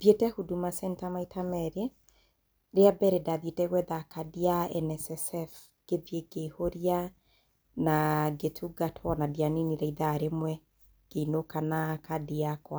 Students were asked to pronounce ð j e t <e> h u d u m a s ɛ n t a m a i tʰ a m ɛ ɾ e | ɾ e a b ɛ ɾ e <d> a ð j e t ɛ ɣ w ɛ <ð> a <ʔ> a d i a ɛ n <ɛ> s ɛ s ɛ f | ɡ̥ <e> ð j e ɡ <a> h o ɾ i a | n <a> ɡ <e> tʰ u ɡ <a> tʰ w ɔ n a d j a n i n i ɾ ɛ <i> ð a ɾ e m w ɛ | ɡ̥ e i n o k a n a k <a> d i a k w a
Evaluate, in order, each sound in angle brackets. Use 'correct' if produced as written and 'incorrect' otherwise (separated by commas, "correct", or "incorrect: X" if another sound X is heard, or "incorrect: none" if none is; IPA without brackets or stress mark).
incorrect: ɛ, correct, correct, incorrect: k, correct, correct, incorrect: e, correct, correct, correct, correct, correct